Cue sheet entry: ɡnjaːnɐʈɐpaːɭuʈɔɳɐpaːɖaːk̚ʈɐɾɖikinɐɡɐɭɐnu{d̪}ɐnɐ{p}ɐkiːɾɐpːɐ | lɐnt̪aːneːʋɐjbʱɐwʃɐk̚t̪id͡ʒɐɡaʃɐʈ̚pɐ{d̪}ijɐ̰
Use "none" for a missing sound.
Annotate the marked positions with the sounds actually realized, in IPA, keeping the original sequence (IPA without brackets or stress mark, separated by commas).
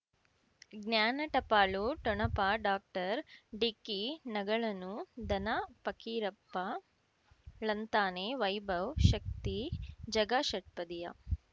d̪, p, d̪